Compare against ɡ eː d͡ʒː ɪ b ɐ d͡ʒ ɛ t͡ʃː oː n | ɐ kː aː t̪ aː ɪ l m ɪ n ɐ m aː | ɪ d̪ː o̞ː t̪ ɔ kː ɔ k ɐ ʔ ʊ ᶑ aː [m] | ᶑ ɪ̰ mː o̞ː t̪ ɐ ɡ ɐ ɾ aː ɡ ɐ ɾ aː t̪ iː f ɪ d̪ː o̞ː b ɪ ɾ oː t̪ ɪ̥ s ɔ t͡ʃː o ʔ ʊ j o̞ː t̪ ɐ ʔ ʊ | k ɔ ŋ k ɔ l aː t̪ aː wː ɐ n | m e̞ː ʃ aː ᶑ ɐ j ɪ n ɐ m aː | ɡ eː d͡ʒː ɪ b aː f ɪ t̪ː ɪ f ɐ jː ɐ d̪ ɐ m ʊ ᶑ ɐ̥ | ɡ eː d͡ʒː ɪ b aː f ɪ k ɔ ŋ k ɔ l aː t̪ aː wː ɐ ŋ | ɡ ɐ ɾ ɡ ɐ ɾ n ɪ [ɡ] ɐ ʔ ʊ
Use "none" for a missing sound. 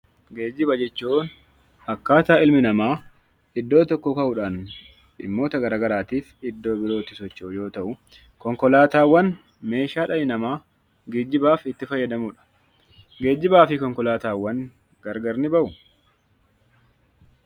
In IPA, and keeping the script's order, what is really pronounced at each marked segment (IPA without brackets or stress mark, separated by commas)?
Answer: n, b